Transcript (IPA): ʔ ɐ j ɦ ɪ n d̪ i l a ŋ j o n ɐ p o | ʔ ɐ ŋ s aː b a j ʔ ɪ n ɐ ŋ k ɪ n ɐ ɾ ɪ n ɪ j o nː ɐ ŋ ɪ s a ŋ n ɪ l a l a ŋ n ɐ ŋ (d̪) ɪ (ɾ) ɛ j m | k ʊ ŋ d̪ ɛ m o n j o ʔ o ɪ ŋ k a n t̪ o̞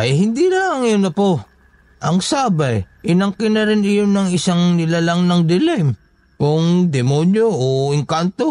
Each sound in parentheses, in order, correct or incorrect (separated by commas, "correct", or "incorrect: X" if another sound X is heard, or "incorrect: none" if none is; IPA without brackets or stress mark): correct, incorrect: l